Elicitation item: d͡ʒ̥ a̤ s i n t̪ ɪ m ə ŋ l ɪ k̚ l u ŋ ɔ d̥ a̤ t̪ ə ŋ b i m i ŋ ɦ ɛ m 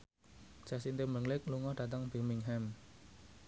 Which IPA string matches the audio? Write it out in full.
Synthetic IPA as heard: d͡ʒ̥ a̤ s i n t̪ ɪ m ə ŋ l ɪ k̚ l u ŋ ɔ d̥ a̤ t̪ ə ŋ b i m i ŋ ɦ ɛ m